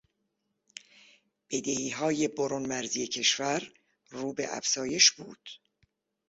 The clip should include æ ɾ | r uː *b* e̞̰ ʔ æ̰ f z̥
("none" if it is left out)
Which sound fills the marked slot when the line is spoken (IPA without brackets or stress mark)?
b